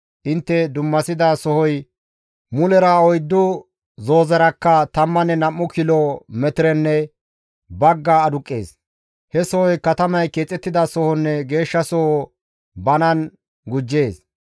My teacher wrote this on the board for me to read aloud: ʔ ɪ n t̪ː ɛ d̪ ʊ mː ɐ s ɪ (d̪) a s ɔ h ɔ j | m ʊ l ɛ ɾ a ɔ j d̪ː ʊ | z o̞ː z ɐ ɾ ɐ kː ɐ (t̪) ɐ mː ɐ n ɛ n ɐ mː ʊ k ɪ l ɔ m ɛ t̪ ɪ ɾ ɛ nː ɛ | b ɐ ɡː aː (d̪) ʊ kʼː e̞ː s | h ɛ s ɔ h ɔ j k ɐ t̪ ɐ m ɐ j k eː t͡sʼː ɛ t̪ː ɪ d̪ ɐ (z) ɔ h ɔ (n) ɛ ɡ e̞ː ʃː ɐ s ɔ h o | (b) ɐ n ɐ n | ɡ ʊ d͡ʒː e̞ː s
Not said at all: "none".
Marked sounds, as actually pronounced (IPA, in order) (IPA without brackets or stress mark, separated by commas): d̪, t̪, d̪, s, nː, b